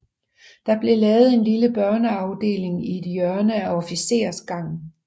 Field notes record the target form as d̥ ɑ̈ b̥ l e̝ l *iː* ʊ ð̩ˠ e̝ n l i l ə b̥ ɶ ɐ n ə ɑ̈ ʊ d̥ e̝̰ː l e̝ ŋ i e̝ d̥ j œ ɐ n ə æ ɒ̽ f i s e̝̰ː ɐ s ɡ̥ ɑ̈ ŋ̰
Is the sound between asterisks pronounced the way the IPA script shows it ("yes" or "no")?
no